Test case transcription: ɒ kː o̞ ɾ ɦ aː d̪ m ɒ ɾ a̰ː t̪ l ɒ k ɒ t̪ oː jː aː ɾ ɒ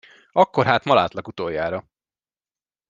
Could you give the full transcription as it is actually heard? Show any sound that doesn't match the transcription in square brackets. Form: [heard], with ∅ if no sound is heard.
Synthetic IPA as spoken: ɒ kː o̞ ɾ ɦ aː [t̪] m ɒ [l] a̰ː t̪ l ɒ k [u] t̪ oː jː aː ɾ ɒ